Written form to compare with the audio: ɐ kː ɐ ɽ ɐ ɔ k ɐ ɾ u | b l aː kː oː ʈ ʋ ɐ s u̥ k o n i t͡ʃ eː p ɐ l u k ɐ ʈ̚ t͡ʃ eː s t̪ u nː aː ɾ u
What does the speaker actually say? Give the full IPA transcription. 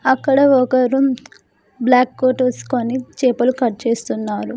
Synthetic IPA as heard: ɐ kː ɐ ɽ ɐ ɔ k ɐ ɾ u | b l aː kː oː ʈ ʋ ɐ s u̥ k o n i t͡ʃ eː p ɐ l u k ɐ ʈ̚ t͡ʃ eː s t̪ u nː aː ɾ u